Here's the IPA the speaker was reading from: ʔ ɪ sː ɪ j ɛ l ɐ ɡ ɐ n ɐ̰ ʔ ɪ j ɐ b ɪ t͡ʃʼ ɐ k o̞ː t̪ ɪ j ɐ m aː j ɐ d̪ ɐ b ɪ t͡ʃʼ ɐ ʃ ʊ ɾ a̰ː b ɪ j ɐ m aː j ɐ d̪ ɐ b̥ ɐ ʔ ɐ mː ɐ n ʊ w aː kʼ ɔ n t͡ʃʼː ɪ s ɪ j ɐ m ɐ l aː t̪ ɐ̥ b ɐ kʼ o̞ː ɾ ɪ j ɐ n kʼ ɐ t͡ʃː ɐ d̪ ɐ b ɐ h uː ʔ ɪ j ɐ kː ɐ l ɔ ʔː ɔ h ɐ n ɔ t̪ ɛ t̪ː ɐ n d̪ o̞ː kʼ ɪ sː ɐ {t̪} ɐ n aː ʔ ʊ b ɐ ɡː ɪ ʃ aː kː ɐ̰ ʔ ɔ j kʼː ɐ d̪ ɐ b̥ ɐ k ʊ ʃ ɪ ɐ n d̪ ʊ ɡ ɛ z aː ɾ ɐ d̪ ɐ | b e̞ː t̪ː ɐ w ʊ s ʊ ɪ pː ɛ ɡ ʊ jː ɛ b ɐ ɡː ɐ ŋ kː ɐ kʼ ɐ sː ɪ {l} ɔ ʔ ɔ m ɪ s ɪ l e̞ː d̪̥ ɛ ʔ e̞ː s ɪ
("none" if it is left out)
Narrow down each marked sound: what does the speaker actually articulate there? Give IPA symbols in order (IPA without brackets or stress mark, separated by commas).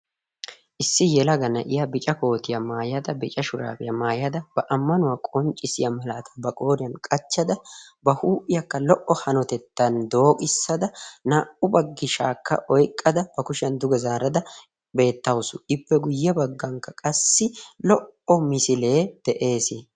d̪, l